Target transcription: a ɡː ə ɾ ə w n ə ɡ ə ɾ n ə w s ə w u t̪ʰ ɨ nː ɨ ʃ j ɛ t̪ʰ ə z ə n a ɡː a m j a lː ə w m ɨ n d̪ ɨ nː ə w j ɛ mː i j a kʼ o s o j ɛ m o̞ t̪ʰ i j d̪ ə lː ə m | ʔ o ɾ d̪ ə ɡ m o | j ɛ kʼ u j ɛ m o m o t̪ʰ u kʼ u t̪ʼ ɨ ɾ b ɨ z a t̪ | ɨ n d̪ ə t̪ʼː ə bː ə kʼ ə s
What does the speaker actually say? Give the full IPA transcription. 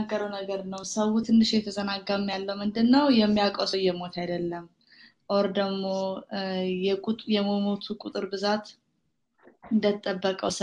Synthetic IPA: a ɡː ə ɾ ə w n ə ɡ ə ɾ n ə w s ə w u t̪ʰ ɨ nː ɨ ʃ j ɛ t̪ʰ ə z ə n a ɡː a m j a lː ə w m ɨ n d̪ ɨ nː ə w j ɛ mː i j a kʼ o s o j ɛ m o̞ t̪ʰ a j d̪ ə lː ə m | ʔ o ɾ d̪ ə ɡ m o | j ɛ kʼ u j ɛ m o m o t̪ʰ u kʼ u t̪ʼ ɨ ɾ b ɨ z a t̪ | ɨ n d̪ ə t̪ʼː ə bː ə kʼ ə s